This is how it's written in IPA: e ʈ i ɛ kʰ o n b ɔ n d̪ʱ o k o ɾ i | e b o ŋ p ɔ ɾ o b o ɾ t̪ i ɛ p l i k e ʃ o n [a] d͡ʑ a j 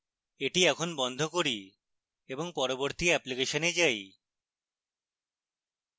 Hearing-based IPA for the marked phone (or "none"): e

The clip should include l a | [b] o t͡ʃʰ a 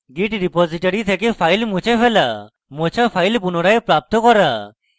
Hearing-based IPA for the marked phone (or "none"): m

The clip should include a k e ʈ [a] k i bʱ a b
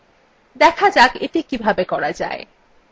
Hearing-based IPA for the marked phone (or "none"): i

